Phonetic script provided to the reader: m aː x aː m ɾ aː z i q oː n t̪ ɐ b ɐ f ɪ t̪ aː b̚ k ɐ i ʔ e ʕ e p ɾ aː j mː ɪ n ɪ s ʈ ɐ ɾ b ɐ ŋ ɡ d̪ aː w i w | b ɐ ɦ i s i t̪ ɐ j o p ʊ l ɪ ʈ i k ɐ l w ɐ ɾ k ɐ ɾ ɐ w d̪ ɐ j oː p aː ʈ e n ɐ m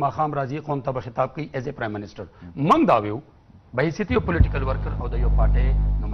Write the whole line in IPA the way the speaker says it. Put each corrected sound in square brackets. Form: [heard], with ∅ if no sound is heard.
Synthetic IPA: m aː x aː m ɾ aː z i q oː n t̪ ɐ b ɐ [x] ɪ t̪ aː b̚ k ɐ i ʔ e [z] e p ɾ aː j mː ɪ n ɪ s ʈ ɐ ɾ [m] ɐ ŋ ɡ d̪ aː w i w | b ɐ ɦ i s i t̪ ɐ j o p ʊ l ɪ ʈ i k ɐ l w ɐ ɾ k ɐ ɾ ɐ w d̪ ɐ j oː p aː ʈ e n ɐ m